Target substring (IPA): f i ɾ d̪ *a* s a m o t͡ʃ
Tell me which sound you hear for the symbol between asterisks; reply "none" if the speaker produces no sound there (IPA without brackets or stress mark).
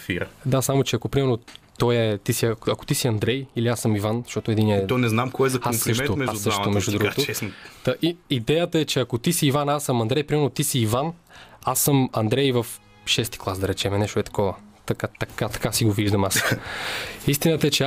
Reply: a